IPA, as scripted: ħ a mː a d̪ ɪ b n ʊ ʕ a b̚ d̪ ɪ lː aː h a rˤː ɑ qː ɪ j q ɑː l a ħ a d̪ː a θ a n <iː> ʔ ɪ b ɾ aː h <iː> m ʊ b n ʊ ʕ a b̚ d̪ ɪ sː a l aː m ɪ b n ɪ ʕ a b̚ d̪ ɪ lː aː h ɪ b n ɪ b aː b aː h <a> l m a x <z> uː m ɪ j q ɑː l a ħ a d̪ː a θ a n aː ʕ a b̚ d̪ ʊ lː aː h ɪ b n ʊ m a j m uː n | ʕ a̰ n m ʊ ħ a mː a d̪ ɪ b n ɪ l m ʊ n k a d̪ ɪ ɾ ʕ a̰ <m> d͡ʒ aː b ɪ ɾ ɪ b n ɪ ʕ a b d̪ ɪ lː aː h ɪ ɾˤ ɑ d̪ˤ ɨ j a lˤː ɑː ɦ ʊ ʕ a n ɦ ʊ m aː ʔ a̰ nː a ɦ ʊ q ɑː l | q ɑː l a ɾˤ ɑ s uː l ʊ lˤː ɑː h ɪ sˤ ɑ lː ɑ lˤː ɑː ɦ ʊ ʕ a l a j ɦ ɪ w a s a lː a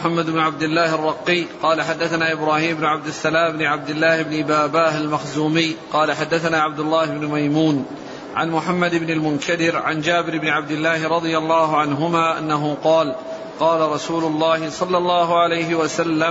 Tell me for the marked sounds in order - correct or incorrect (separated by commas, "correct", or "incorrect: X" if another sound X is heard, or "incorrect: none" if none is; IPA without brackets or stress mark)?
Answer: incorrect: aː, correct, correct, correct, incorrect: n